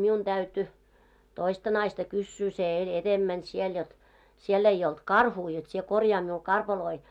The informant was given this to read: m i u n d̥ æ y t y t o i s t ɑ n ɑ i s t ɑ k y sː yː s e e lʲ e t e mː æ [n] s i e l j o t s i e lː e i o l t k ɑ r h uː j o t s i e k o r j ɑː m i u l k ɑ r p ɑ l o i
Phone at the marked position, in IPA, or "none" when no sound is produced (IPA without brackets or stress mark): n